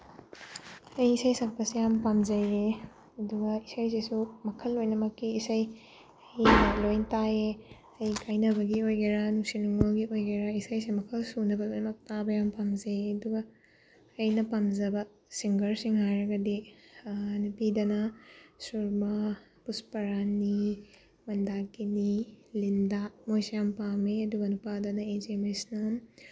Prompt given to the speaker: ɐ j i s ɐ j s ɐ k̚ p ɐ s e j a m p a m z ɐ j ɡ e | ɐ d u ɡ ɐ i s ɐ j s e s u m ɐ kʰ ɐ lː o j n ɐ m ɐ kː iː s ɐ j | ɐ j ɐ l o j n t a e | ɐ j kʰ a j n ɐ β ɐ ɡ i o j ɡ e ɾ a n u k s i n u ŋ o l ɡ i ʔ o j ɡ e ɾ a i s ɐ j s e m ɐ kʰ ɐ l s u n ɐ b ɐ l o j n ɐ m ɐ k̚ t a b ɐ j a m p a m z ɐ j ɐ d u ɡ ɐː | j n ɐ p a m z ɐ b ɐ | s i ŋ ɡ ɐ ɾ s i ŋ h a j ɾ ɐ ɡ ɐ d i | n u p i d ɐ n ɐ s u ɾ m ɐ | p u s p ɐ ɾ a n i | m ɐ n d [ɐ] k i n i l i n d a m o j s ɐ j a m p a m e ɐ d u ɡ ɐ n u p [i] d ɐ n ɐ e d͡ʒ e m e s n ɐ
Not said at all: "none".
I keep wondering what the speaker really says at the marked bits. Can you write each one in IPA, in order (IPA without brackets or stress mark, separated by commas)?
a, a